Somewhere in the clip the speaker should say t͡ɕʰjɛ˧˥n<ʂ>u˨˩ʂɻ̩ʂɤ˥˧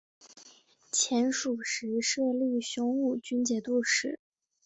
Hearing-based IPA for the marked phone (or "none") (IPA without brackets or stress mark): ʂ